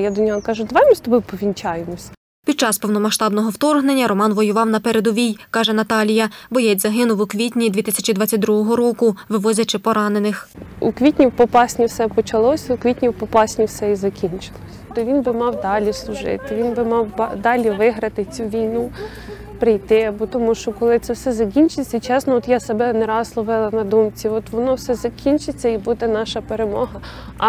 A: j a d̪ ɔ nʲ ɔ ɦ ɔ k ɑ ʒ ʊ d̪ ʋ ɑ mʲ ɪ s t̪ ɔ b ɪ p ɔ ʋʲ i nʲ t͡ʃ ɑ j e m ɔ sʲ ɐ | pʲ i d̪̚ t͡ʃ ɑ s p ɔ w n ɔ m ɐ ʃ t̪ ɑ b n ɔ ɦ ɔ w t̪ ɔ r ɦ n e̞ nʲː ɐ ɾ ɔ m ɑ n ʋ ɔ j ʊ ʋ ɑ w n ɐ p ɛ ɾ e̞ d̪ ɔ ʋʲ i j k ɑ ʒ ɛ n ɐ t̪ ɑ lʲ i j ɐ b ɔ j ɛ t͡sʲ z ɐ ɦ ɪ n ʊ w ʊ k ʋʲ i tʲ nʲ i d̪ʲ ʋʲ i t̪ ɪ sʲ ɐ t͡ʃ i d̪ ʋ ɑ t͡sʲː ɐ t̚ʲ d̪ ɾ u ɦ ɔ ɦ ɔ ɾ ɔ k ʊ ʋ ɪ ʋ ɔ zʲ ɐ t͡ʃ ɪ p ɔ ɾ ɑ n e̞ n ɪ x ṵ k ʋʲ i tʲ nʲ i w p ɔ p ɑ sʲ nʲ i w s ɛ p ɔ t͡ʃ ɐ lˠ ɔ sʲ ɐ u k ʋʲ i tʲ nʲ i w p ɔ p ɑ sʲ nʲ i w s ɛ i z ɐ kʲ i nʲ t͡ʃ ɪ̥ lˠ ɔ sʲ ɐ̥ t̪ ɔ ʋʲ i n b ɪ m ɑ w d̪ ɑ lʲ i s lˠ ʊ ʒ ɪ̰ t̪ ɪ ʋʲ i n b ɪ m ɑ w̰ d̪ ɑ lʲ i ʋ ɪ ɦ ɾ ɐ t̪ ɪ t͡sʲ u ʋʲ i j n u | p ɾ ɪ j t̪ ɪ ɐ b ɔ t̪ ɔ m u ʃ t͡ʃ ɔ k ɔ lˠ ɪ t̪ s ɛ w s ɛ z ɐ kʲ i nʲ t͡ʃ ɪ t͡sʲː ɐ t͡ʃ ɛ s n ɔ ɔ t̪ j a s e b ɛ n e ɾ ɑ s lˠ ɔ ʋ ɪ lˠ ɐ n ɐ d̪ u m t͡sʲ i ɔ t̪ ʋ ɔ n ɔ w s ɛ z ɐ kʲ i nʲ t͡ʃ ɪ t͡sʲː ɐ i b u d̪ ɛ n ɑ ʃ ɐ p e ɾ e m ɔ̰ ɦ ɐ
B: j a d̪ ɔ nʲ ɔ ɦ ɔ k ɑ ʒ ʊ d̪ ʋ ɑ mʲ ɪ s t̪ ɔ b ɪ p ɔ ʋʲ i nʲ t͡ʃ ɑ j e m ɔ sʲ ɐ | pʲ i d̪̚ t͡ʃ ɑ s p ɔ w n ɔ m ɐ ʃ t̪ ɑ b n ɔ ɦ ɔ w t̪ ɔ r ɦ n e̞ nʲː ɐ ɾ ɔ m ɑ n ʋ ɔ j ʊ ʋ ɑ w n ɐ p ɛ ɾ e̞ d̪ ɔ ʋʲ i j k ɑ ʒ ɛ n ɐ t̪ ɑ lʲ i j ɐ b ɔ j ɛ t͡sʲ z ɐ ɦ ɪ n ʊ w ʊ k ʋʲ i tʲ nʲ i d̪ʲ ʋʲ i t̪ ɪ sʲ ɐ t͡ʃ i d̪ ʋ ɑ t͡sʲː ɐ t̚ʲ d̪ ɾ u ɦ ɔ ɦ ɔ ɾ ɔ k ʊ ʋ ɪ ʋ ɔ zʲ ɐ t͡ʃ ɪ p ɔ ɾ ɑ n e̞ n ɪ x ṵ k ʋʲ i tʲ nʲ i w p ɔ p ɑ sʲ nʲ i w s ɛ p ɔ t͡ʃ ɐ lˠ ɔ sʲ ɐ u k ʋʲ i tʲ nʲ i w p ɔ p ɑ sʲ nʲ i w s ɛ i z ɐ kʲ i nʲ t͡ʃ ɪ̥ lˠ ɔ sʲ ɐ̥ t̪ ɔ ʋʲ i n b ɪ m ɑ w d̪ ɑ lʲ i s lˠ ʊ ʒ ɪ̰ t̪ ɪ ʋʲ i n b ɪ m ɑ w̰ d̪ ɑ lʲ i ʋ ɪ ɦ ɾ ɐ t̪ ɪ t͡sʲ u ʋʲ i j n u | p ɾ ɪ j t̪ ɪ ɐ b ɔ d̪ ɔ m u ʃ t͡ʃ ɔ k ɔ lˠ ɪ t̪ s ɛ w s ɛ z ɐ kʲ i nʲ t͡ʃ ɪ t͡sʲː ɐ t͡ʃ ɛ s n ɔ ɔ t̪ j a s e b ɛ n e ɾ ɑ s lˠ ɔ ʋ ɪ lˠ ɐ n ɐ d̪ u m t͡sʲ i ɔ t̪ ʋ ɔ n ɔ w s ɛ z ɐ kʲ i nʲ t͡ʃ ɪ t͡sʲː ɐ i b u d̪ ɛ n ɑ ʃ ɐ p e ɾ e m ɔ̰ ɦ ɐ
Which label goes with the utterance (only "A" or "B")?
A